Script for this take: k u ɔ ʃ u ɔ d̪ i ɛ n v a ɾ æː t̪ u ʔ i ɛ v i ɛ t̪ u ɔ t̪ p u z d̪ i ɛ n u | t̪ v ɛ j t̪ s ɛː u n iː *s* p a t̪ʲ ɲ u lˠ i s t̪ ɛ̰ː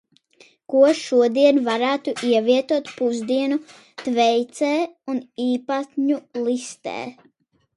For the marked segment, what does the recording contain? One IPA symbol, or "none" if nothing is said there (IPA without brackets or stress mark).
none